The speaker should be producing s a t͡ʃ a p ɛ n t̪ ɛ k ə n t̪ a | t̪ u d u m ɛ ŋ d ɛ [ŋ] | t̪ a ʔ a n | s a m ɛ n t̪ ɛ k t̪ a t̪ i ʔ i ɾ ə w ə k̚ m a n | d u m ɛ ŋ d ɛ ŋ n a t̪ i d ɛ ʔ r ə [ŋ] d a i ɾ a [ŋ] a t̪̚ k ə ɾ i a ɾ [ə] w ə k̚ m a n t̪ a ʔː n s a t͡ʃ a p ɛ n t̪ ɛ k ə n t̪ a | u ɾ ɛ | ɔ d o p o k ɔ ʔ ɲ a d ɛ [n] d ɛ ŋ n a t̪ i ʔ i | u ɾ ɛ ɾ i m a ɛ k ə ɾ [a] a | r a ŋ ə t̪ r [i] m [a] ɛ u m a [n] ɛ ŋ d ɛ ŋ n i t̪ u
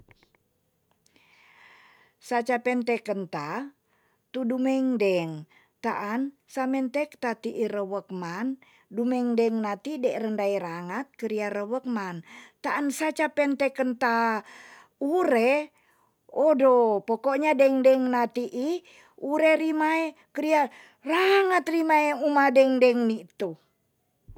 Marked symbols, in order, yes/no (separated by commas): yes, no, yes, yes, no, no, yes, yes, no